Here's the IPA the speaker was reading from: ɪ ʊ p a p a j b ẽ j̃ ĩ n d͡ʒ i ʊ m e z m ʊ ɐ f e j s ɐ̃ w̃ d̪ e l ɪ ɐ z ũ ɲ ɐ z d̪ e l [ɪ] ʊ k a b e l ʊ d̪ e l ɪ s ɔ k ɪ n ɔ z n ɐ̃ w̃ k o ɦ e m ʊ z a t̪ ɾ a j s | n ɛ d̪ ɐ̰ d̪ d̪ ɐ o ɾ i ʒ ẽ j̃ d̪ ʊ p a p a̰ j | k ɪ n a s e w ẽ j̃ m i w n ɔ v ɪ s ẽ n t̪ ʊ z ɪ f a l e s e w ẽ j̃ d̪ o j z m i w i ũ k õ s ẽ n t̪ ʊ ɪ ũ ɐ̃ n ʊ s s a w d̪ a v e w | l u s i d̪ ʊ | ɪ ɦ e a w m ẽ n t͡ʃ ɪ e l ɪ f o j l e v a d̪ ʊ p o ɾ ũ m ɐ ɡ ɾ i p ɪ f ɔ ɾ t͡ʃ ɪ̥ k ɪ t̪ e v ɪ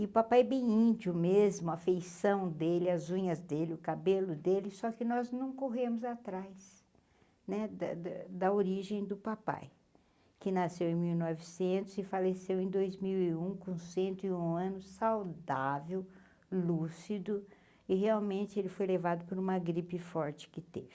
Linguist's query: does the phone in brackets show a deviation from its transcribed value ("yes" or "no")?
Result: no